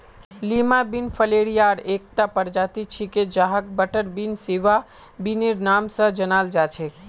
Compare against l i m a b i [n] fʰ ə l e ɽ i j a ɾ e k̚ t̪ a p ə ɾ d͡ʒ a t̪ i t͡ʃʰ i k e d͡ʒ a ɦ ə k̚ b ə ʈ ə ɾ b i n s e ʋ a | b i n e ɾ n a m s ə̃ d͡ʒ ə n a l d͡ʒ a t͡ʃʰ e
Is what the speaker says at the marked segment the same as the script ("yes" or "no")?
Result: yes